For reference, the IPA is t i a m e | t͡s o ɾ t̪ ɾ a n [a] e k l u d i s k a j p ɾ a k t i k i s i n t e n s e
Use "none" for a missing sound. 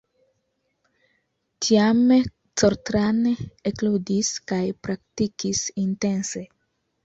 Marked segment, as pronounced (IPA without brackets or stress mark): e